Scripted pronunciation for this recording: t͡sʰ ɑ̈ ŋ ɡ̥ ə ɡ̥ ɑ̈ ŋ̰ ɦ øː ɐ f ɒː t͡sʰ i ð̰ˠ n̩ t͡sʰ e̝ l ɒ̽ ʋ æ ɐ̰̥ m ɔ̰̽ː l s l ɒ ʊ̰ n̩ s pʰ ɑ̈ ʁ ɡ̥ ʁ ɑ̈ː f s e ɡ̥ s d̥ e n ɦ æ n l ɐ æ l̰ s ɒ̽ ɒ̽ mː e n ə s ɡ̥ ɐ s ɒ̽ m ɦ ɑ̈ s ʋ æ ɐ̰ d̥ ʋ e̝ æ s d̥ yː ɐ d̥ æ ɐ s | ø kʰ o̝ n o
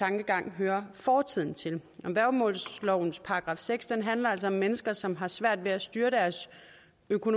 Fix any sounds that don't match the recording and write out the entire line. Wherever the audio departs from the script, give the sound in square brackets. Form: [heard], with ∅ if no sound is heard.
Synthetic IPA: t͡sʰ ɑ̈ ŋ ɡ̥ ə ɡ̥ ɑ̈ ŋ̰ ɦ øː ɐ f ɒː t͡sʰ i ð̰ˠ n̩ t͡sʰ e̝ l ɒ̽ ʋ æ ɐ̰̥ m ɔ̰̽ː l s l ɒ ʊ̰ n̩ s pʰ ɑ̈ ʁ ɡ̥ ʁ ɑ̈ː f s e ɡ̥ s d̥ e n ɦ æ n l ɐ æ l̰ s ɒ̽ ɒ̽ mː e n ə s ɡ̥ ɐ s ɒ̽ m ɦ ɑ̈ s ʋ æ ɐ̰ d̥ ʋ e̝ æ s d̥ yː ɐ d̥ æ ɐ s | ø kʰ o̝ n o